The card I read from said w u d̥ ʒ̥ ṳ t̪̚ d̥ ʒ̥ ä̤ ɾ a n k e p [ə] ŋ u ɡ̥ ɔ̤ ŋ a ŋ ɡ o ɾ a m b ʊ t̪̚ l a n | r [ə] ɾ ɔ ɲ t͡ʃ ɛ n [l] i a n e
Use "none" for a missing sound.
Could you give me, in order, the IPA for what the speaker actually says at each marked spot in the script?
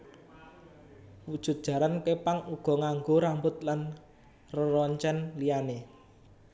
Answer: a, ə, l

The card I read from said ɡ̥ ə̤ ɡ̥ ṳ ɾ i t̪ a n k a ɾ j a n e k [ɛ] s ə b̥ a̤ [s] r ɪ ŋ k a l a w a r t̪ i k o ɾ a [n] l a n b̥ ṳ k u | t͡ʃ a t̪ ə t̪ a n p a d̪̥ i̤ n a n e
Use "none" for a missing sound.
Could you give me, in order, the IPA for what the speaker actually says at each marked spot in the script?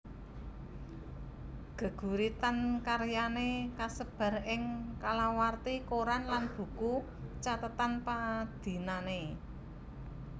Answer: a, none, n

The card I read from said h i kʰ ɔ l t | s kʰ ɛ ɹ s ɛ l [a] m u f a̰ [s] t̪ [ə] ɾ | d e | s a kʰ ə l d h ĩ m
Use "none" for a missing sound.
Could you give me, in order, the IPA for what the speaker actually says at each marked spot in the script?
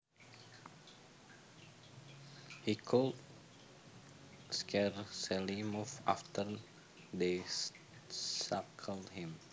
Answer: i, f, ə

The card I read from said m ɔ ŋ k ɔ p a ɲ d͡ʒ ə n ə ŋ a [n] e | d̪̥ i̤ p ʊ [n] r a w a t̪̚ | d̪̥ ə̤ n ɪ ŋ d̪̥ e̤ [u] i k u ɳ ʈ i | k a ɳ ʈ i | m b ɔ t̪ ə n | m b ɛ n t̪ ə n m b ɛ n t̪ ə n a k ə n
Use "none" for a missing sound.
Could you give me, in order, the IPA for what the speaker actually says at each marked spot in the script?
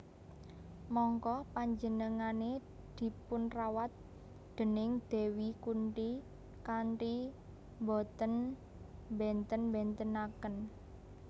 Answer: n, n, w

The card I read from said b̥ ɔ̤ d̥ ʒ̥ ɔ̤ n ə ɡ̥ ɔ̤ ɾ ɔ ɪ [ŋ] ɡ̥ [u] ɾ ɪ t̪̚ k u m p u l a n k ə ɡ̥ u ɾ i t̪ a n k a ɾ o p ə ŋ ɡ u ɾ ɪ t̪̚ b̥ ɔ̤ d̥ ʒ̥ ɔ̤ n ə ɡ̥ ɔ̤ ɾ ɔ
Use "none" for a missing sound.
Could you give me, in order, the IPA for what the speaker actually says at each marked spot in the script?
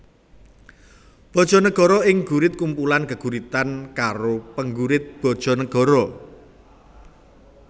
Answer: ŋ, u

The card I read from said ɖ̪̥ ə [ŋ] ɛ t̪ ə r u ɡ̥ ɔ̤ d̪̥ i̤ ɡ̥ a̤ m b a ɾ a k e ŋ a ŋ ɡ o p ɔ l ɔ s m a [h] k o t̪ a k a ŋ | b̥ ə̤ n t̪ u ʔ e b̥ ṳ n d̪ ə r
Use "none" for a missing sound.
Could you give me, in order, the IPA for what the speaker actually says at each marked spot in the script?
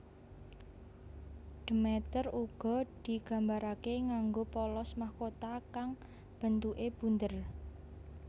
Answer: m, h

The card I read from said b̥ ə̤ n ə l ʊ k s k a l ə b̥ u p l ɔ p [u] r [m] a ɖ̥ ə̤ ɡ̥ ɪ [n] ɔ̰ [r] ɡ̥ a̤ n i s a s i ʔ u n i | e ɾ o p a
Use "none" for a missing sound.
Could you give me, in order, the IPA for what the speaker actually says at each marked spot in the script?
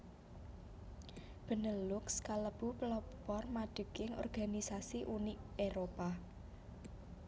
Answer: ɔ, m, ŋ, r

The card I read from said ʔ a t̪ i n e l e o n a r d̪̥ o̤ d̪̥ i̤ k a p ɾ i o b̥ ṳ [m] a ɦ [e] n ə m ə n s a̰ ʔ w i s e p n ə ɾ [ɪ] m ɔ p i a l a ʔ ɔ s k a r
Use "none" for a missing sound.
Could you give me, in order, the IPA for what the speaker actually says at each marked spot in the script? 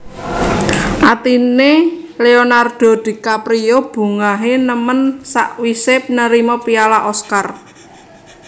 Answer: ŋ, e, i

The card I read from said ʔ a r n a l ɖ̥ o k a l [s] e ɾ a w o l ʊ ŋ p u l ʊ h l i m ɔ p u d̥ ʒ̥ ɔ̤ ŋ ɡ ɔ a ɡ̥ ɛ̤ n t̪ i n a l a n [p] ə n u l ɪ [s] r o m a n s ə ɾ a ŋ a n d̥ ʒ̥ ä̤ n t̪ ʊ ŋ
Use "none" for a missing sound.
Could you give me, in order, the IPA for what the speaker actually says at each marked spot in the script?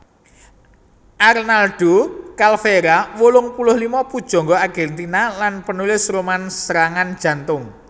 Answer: f, p, s

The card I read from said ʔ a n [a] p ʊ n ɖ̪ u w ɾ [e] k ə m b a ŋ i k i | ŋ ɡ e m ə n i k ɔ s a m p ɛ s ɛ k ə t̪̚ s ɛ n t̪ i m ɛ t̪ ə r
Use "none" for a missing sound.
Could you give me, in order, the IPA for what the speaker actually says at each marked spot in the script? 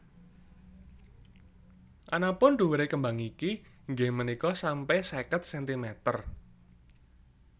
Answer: a, e

